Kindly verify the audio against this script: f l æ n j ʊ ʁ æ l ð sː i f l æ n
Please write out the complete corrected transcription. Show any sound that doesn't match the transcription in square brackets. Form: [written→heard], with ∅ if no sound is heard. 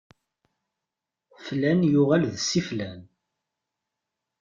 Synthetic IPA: f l æ n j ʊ ʁ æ l ð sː i f l æ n